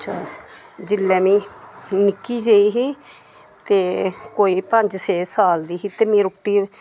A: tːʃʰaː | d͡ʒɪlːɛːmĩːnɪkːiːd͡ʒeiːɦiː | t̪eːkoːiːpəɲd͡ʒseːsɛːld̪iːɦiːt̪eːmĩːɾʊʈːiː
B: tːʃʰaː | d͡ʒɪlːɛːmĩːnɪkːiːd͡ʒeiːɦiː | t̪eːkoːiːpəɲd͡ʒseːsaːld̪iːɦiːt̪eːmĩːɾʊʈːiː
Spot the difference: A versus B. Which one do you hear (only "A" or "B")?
B